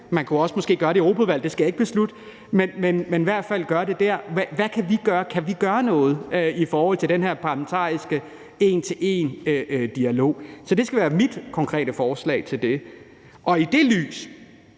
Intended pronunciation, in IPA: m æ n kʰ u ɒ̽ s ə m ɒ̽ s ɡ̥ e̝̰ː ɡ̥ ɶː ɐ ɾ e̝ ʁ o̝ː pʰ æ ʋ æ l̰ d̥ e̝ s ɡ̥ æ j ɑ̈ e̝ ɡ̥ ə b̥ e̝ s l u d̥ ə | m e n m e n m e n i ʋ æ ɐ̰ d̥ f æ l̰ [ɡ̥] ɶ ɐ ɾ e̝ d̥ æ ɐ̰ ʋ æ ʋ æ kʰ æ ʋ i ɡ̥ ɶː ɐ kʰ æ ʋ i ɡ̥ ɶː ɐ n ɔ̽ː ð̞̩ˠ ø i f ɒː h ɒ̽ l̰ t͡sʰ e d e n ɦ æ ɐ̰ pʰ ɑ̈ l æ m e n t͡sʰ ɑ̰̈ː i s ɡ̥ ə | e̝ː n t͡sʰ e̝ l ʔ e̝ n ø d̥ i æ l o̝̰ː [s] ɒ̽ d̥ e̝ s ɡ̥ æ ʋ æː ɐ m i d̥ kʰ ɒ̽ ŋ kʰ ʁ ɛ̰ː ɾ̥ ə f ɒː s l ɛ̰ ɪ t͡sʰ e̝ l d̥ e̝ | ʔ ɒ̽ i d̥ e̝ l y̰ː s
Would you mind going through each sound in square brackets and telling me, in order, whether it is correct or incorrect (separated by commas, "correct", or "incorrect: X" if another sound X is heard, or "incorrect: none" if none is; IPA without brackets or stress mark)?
correct, correct